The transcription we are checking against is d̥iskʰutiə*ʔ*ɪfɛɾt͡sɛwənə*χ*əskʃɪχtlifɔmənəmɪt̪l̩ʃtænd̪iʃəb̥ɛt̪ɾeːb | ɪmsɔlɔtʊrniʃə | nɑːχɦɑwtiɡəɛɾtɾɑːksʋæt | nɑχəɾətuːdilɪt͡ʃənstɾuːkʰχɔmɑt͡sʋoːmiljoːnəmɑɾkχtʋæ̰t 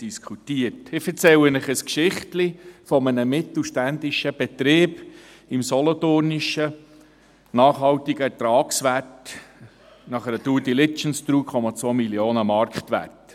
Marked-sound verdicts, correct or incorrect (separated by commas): incorrect, correct